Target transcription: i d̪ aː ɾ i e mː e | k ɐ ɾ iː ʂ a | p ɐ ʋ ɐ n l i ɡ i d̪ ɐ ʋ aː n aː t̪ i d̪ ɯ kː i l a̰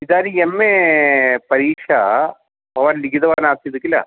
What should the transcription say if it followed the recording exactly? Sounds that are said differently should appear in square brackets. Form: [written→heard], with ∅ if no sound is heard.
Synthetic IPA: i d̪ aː ɾ i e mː e | [k→p] ɐ ɾ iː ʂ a | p ɐ ʋ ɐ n l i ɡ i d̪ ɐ ʋ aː n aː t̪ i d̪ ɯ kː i l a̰